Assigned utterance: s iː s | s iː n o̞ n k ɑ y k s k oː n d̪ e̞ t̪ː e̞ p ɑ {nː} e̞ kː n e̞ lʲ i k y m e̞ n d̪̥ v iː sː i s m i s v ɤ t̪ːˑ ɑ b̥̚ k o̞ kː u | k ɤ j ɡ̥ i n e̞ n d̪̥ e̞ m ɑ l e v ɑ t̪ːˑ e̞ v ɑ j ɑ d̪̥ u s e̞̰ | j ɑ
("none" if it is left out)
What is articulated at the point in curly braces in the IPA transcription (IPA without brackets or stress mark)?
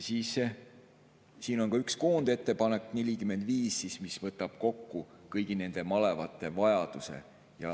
n